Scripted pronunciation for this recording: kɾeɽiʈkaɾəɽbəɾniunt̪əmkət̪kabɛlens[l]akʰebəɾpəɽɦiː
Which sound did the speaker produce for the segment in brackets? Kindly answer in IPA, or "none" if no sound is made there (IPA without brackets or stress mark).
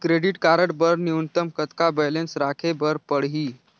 ɾ